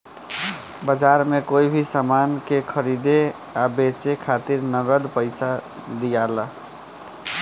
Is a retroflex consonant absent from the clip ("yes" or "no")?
yes